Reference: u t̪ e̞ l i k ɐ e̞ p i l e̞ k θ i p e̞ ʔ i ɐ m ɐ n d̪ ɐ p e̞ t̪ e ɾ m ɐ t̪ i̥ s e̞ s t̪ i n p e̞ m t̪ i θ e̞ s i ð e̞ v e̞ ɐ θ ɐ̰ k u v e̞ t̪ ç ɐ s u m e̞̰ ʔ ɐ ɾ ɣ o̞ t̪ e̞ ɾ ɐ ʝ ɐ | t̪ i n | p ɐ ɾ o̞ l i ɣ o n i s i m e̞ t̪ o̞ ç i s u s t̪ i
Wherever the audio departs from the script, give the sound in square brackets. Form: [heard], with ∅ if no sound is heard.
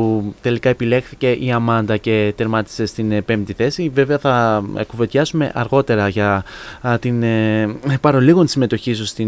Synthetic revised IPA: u t̪ e̞ l i k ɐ e̞ p i l e̞ [x] θ i [c] e̞ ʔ i ɐ m ɐ n d̪ ɐ [c] e̞ t̪ e ɾ m ɐ t̪ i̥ s e̞ s t̪ i n p e̞ m t̪ i θ e̞ s i [v] e̞ v e̞ ɐ θ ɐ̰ k u v e̞ t̪ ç ɐ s u m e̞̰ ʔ ɐ ɾ ɣ o̞ t̪ e̞ ɾ ɐ ʝ ɐ | t̪ i n | p ɐ ɾ o̞ l i ɣ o n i s i m e̞ t̪ o̞ ç i s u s t̪ i